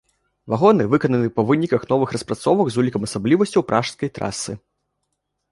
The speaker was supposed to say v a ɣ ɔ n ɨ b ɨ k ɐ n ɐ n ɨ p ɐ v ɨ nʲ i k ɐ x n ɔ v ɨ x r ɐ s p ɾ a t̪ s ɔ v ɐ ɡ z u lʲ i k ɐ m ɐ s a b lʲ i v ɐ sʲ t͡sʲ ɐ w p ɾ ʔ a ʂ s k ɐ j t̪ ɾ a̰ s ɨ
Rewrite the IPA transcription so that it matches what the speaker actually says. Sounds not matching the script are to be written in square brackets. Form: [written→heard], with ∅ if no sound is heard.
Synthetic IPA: v a ɣ ɔ n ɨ [b→v] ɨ k ɐ n ɐ n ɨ p ɐ v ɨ nʲ i k ɐ x n ɔ v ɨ x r ɐ s p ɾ a t̪ s ɔ v ɐ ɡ z u lʲ i k ɐ m ɐ s a b lʲ i v ɐ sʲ t͡sʲ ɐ w p ɾ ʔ a ʂ s k ɐ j t̪ ɾ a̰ s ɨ